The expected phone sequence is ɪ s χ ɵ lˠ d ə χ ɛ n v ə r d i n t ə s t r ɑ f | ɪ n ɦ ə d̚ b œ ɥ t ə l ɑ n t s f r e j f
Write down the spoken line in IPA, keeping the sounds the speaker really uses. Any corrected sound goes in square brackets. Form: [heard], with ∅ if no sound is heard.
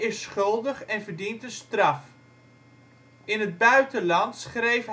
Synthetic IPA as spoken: ɪ s χ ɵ lˠ d ə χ ɛ n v ə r d i n t ə s t r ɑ f | ɪ n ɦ ə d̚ b œ ɥ t ə l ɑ n t s [χ] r e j f